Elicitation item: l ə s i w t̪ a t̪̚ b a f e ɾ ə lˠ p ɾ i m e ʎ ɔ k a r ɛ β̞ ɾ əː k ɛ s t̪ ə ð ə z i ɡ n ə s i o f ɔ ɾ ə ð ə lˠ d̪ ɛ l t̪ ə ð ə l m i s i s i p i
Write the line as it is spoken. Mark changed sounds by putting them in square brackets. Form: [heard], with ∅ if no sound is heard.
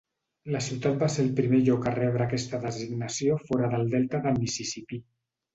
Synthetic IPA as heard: l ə s i w t̪ a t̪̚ b a [s] e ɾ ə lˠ p ɾ i m e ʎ ɔ k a r ɛ β̞ ɾ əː k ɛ s t̪ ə ð ə z i ɡ n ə s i o f ɔ ɾ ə ð ə lˠ d̪ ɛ l t̪ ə ð ə l m i s i s i p i